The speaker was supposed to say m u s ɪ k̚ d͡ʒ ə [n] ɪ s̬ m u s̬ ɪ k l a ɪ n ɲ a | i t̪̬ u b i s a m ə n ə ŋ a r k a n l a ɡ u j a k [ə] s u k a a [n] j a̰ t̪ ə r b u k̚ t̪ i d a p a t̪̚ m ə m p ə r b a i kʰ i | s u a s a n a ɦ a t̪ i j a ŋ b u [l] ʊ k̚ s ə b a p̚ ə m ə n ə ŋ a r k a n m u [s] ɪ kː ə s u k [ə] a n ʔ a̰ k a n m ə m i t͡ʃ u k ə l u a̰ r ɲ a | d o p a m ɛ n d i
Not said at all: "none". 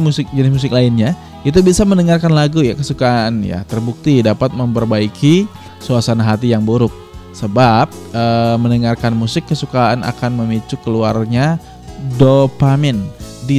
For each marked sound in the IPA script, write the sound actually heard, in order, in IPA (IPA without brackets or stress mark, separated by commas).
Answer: n, ə, n, ɾ, s, a